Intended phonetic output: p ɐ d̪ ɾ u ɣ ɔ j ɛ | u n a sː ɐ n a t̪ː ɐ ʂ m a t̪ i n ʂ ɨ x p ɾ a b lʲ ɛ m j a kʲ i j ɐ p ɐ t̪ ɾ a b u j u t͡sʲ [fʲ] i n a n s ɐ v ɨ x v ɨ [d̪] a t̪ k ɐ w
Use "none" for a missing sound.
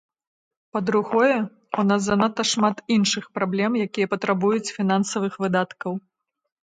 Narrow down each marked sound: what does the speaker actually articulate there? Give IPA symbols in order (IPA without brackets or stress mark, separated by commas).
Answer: fʲ, d̪